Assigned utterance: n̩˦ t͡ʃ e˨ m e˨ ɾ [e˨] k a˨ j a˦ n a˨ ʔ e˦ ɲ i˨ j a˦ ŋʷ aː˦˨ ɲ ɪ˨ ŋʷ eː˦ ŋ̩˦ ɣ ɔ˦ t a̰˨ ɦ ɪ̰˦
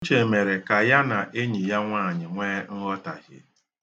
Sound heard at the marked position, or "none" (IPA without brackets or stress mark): e˨